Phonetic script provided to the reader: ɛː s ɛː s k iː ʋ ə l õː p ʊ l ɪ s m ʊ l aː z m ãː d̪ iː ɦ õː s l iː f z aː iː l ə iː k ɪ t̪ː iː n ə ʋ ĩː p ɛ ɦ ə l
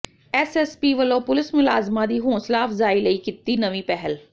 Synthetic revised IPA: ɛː s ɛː s p iː ʋ ə l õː p ʊ l ɪ s m ʊ l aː z m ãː d̪ iː ɦ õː s l aː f z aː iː l ə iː k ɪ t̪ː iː n ə ʋ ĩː p ɛ ɦ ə l